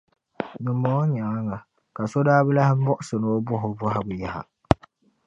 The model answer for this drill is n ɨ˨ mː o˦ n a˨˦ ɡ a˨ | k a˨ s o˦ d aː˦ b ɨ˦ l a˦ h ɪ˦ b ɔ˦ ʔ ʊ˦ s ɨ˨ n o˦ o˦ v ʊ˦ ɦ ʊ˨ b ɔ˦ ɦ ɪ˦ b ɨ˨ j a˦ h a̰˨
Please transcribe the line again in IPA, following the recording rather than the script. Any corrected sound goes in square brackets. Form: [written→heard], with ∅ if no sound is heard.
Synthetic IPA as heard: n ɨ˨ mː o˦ [n→ɲ] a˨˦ [ɡ→ŋ] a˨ | k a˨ s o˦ d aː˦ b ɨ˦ l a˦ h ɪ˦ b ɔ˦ ʔ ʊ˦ s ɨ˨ n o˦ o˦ [v→b] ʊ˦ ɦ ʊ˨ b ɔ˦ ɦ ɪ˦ b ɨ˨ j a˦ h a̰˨